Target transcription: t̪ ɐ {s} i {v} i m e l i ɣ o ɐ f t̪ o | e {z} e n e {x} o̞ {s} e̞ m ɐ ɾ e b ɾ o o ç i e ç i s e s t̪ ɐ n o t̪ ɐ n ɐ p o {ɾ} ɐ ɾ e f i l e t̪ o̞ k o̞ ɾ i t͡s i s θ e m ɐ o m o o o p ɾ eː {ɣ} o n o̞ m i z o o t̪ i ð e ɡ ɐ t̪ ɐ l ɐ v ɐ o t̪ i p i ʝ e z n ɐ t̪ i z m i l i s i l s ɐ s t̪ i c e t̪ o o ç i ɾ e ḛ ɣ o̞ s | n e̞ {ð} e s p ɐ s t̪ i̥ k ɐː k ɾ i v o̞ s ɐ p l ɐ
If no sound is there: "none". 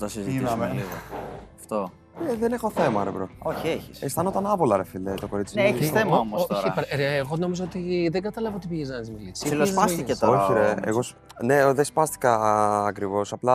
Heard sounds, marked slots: s, z, ð, x, θ, l, ɣ, ð

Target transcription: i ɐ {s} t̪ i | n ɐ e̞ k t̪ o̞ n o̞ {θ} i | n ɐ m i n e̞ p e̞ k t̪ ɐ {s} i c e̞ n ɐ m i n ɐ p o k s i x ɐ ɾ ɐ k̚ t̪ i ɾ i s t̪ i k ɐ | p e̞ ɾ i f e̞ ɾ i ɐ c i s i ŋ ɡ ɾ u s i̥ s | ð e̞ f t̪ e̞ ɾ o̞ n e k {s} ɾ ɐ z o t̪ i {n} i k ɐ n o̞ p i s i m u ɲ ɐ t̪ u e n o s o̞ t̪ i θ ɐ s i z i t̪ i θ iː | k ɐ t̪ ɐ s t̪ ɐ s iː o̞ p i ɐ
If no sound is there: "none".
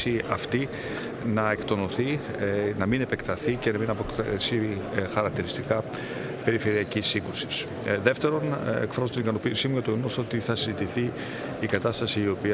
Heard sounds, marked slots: f, θ, θ, f, n

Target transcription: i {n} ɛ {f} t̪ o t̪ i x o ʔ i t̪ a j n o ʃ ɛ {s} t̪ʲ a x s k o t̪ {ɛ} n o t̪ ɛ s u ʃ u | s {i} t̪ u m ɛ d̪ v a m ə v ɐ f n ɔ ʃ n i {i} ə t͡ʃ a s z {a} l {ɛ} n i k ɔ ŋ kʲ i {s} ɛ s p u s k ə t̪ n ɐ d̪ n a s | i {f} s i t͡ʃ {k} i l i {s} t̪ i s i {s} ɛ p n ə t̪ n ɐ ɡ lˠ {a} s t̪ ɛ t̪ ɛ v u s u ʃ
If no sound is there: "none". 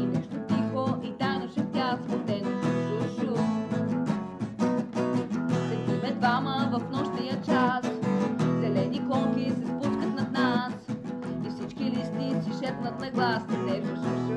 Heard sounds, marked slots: n, ʃ, f, ɛ, ɛ, j, ɛ, ɛ, s, f, k, s, ʃ, a

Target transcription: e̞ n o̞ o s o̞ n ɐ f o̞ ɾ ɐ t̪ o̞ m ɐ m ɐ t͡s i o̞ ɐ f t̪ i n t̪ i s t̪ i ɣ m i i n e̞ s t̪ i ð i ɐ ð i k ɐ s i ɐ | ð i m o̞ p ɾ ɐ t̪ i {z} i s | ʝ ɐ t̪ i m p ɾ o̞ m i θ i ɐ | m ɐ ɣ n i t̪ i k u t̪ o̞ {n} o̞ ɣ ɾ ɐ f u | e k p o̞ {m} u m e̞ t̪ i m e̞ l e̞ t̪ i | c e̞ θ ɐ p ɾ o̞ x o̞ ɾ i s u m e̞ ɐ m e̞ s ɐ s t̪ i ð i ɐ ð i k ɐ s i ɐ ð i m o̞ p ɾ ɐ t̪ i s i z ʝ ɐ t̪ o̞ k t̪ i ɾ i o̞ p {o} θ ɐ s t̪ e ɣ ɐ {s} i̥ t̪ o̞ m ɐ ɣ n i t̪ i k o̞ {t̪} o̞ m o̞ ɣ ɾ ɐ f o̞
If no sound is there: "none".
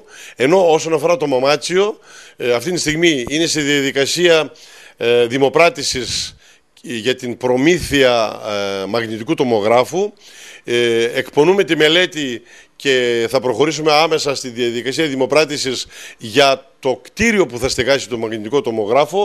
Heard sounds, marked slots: s, m, n, u, s, t̪

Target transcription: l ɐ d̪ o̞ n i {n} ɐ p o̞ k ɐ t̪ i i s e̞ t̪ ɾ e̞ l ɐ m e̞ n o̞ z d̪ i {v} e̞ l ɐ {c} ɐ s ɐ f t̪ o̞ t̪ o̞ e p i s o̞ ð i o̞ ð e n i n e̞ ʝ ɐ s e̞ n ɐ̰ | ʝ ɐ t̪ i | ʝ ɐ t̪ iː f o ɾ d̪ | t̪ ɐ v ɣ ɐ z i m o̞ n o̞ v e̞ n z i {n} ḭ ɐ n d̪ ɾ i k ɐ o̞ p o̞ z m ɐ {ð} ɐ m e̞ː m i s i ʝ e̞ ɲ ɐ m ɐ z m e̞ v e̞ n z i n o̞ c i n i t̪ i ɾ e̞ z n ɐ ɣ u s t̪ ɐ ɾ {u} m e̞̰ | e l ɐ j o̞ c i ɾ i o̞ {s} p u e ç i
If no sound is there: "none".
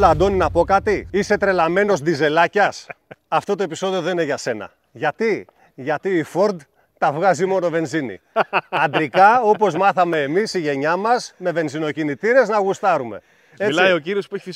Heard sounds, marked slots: n, z, c, n, θ, u, s

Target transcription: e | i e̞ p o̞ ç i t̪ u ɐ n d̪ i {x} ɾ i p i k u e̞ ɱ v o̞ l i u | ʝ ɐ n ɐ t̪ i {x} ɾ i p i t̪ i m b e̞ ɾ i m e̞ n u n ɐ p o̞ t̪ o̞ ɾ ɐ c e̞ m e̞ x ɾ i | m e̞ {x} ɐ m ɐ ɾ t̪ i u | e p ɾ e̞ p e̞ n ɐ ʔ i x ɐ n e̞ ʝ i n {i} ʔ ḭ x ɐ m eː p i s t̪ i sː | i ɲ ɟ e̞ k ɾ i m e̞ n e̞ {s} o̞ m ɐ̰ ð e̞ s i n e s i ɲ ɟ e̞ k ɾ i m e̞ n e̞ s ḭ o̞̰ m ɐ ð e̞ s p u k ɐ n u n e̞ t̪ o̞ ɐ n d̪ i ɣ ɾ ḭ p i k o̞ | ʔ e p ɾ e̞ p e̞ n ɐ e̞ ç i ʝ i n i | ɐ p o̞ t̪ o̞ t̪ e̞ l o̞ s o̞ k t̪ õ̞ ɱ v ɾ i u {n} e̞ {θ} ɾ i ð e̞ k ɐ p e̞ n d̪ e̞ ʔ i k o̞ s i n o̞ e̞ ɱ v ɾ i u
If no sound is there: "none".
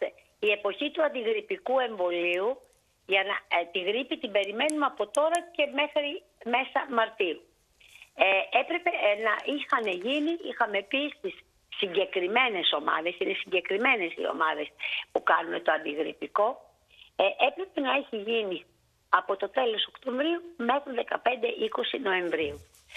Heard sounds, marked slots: ɣ, ɣ, s, i, s, m, x

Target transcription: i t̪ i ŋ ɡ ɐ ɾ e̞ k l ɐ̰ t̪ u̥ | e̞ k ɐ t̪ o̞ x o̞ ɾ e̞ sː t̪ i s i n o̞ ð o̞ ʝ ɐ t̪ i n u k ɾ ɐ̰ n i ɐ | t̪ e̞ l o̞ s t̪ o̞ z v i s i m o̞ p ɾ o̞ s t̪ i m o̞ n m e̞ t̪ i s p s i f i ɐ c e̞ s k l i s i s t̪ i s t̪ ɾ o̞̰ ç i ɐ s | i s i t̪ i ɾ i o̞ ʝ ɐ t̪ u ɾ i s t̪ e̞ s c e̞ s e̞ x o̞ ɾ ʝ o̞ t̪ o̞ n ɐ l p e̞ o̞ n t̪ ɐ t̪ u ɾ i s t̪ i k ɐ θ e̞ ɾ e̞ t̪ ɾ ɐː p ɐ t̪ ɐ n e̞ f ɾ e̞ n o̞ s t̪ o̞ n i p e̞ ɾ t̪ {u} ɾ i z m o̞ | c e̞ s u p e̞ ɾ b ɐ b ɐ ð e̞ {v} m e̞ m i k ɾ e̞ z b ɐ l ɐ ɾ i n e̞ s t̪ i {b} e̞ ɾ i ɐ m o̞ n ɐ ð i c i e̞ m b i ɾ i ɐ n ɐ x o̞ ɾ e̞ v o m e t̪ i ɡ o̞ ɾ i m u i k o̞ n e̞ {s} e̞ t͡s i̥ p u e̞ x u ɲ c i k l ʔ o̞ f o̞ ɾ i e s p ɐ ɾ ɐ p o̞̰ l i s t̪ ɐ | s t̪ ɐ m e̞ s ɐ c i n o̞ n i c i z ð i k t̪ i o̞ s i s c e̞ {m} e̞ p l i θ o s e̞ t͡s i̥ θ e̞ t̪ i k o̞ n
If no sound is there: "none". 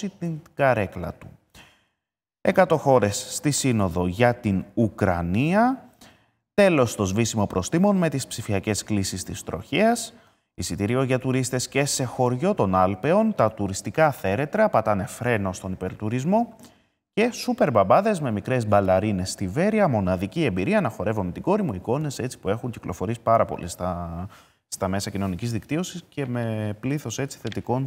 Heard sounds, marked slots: u, z, v, s, m

